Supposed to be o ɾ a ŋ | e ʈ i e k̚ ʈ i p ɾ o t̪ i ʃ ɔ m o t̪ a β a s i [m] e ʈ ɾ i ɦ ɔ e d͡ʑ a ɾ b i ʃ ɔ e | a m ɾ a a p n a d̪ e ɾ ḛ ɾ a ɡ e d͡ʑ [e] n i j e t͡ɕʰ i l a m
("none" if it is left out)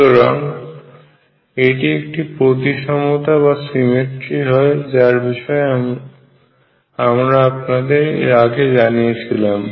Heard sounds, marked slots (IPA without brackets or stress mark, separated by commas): m, a